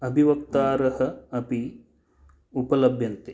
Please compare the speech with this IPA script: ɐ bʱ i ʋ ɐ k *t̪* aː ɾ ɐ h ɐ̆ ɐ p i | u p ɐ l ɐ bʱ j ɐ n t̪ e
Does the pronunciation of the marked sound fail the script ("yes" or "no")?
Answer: no